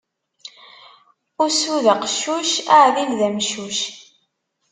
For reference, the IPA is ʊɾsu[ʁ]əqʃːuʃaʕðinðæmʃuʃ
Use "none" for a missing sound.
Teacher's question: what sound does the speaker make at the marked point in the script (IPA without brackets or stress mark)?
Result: ð